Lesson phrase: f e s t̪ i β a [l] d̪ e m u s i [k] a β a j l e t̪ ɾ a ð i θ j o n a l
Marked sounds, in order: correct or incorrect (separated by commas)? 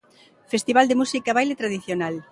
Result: correct, correct